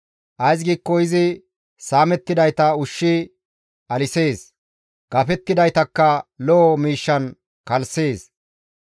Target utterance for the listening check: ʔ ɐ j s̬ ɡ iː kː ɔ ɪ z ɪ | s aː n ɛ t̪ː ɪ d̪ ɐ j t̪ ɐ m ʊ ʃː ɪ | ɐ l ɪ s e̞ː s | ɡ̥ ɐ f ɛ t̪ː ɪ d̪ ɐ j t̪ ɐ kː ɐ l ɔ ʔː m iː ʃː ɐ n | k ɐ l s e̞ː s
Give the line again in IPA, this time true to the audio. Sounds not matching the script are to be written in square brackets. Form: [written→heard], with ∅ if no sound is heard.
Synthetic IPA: ʔ ɐ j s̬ ɡ iː kː ɔ ɪ z ɪ | s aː [n→m] ɛ t̪ː ɪ d̪ ɐ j t̪ ɐ [m→∅] ʊ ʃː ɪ | ɐ l ɪ s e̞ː s | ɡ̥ ɐ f ɛ t̪ː ɪ d̪ ɐ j t̪ ɐ kː ɐ l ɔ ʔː m iː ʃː ɐ n | k ɐ l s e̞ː s